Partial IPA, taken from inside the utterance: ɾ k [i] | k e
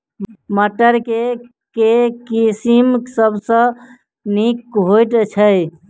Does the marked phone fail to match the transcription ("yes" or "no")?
yes